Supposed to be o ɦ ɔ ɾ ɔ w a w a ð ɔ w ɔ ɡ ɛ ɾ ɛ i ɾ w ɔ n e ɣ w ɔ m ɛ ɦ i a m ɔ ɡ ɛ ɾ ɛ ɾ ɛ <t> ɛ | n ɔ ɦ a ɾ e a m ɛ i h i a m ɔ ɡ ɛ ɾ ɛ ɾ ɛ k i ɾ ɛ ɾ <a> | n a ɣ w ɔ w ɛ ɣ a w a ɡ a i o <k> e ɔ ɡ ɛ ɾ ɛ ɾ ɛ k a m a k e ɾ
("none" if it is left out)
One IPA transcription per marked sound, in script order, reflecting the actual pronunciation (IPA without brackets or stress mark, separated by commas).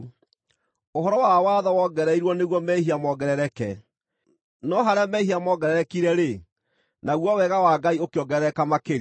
k, e, k